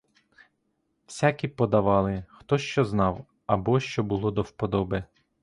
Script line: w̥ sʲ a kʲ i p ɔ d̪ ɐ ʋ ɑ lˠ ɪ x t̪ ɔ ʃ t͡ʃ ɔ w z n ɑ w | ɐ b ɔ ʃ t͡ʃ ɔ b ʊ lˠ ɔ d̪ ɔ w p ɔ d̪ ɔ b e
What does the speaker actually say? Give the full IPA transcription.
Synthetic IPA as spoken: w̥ sʲ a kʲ i p ɔ d̪ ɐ ʋ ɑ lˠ ɪ x t̪ ɔ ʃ t͡ʃ ɔ z n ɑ w | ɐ b ɔ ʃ t͡ʃ ɔ b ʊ lˠ ɔ d̪ ɔ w p ɔ d̪ ɔ b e